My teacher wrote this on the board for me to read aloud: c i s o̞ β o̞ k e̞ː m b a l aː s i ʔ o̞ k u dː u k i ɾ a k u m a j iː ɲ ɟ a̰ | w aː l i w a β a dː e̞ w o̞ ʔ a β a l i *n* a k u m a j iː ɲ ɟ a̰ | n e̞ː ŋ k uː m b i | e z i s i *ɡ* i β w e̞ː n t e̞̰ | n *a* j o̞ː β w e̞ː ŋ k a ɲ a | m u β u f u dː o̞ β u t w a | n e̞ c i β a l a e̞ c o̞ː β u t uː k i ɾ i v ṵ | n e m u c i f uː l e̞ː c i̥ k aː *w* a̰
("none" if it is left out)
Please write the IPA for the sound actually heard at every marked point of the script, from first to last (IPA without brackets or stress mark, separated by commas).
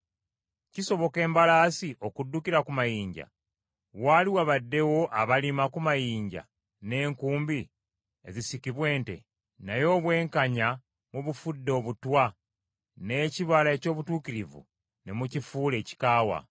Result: m, k, a, w